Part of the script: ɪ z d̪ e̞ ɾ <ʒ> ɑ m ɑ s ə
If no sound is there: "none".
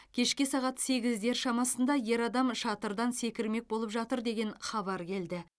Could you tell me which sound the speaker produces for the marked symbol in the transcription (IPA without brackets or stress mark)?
ʃ